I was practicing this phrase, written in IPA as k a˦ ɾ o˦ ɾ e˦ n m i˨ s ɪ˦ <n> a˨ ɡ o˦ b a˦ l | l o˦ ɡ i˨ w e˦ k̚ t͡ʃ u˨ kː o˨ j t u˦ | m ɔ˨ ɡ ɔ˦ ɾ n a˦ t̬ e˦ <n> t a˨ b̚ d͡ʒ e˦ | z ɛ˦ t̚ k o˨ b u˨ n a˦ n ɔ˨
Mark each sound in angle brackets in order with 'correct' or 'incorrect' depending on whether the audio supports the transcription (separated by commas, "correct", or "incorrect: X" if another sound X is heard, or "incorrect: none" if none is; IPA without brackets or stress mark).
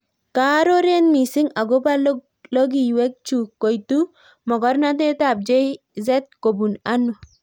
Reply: incorrect: ŋ, incorrect: none